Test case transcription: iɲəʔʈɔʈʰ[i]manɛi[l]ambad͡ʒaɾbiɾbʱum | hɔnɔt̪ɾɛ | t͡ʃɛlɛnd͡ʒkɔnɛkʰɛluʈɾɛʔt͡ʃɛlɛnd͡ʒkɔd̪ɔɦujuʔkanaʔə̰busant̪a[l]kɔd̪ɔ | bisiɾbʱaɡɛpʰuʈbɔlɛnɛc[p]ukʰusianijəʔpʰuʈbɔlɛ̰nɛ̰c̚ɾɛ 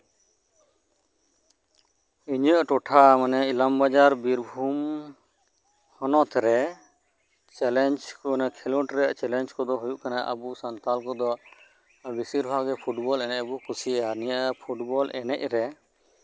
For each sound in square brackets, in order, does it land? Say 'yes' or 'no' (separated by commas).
no, yes, yes, no